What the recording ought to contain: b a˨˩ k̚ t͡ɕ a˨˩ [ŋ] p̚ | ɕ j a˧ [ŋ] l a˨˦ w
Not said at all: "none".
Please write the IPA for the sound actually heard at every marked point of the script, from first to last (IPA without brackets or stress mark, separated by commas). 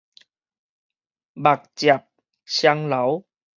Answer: none, ŋ